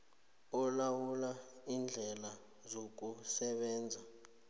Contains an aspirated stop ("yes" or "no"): no